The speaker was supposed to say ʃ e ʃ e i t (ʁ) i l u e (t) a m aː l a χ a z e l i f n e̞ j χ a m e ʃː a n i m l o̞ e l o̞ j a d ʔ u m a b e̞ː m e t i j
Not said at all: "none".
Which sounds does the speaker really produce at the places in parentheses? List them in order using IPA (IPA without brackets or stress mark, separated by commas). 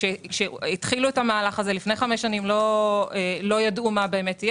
χ, t